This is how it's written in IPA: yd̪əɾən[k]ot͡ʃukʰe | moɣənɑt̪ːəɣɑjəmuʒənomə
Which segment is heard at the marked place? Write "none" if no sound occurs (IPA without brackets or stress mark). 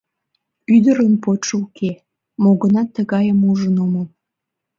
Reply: p